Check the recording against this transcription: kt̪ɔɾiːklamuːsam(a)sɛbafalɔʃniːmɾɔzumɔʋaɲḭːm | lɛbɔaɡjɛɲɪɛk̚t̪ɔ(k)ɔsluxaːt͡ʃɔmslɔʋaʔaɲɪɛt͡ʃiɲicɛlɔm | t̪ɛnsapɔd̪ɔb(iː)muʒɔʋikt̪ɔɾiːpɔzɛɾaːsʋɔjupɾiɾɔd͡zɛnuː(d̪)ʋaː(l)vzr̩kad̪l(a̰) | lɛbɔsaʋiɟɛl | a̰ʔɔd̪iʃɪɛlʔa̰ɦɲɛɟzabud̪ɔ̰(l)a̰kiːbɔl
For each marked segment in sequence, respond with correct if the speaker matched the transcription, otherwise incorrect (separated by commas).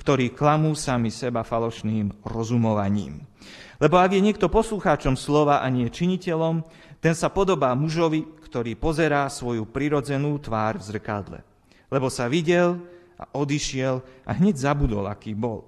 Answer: incorrect, incorrect, incorrect, incorrect, incorrect, incorrect, correct